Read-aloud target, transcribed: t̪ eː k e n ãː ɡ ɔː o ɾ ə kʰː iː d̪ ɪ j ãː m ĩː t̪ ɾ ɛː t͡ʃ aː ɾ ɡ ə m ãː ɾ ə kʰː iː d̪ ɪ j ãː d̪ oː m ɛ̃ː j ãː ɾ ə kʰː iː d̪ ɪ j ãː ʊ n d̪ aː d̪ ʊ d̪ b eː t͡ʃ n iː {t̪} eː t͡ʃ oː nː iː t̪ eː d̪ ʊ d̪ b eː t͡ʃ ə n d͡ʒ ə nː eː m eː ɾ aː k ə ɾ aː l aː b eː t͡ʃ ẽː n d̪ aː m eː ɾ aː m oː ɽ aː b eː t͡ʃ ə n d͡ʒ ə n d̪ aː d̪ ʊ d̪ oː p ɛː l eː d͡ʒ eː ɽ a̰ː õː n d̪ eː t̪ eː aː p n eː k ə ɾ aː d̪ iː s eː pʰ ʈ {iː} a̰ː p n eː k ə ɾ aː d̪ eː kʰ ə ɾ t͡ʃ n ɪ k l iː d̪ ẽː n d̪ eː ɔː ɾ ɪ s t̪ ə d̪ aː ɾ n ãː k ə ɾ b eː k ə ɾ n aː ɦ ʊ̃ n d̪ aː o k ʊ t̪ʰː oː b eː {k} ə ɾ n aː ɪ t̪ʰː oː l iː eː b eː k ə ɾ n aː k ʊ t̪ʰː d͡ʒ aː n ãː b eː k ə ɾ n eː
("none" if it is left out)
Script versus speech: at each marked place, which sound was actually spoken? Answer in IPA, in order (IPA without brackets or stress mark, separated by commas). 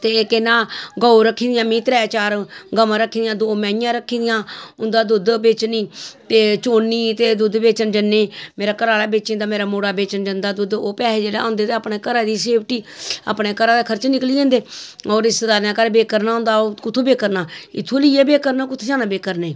t̪, iː, k